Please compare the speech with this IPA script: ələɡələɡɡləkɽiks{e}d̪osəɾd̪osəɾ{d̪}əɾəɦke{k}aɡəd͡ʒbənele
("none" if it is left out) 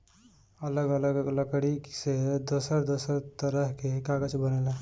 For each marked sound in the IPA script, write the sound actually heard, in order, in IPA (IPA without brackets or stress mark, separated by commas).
e, t̪, k